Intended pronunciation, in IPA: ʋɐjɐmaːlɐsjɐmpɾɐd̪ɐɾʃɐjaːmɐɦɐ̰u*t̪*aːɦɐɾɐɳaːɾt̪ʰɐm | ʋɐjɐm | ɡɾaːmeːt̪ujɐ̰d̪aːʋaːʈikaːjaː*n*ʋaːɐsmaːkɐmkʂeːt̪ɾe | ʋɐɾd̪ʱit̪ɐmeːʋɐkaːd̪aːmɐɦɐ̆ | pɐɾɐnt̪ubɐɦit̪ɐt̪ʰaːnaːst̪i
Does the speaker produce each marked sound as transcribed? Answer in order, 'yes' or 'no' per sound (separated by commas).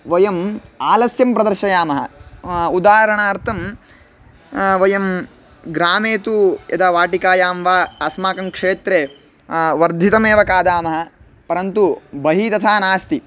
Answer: no, no